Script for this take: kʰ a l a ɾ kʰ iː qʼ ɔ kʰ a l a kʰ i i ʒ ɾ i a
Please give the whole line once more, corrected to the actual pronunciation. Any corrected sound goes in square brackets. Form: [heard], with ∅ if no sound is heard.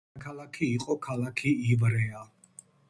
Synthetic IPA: kʰ a l a [∅] kʰ iː qʼ ɔ kʰ a l a kʰ i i [v] ɾ [ɛ] a